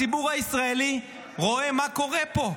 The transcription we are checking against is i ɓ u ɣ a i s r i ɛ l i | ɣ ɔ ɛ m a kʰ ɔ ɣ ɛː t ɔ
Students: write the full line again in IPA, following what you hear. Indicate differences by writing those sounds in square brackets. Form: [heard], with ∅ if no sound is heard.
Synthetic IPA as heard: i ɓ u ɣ a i s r [a] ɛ l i | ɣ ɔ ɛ m a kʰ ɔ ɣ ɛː [p] ɔ